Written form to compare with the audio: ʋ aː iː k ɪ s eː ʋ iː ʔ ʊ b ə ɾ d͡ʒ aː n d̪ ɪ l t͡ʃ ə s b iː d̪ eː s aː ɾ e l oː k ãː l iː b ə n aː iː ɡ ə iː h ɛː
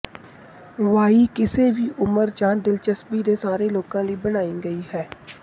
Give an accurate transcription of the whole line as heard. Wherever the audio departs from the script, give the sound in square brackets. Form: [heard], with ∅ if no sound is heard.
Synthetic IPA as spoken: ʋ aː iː k ɪ s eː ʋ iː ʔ ʊ [m] ə ɾ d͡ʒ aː n d̪ ɪ l t͡ʃ ə s b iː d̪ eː s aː ɾ e l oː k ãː l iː b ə n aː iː ɡ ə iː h ɛː